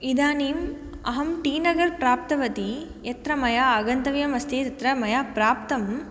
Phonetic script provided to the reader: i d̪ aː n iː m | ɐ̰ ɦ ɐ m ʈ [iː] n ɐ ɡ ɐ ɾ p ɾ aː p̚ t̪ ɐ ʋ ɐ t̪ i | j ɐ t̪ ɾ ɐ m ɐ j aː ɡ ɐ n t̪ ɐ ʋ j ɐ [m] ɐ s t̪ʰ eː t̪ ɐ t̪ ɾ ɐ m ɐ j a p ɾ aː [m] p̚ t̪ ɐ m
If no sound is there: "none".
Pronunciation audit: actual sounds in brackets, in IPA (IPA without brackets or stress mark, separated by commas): iː, m, none